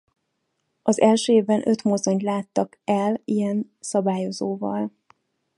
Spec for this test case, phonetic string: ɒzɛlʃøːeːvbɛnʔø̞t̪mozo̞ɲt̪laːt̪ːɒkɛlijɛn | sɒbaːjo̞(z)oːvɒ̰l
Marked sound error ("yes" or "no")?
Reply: no